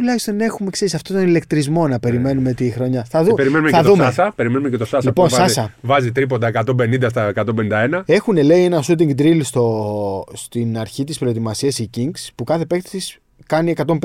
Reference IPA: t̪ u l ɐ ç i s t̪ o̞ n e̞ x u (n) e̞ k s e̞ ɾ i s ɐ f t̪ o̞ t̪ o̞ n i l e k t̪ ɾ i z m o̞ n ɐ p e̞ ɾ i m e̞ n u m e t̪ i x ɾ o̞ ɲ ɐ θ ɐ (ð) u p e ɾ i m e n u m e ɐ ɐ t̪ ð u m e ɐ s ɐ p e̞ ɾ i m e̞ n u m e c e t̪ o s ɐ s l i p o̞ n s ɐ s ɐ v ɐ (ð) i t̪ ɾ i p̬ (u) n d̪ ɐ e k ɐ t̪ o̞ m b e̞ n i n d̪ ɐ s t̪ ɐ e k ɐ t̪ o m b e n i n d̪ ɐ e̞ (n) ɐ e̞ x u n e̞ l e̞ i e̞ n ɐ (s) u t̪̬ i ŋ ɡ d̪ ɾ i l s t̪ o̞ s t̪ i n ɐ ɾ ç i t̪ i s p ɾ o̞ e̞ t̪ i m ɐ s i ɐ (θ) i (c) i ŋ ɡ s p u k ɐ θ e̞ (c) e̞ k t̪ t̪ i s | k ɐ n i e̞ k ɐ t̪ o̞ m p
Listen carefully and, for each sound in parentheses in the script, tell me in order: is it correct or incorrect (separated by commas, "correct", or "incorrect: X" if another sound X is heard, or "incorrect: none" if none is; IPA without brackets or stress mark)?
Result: incorrect: m, correct, incorrect: z, incorrect: o, correct, correct, incorrect: s, correct, incorrect: p